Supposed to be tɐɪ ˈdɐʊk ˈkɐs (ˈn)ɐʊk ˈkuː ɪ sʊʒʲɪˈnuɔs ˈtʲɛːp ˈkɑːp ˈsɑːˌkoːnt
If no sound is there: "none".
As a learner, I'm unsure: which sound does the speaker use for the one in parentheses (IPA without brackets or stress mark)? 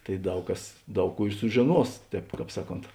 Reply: d